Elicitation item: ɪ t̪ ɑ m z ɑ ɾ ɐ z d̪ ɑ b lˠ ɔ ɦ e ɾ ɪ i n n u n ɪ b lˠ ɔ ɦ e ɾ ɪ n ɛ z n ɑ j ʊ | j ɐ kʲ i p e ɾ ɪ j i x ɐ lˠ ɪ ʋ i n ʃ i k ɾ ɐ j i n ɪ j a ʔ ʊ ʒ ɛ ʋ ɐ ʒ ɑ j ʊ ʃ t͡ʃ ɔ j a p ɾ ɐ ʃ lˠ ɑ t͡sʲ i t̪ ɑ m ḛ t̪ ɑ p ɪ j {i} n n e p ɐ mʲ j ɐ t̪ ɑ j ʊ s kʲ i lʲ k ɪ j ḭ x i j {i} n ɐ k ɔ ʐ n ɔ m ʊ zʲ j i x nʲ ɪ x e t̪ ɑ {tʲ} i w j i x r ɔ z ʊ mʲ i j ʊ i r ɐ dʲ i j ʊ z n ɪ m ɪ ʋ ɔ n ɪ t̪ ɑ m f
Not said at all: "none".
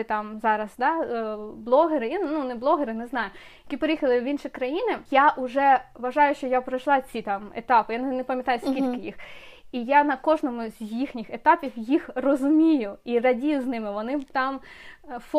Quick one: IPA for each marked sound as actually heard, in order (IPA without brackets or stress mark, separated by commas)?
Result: a, a, pʲ